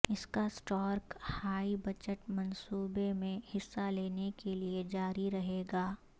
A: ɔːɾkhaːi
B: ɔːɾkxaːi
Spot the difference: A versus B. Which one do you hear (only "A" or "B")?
A